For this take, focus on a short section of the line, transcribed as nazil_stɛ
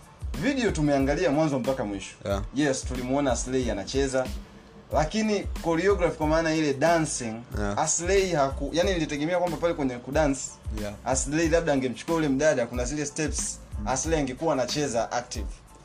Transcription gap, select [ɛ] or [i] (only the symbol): ɛ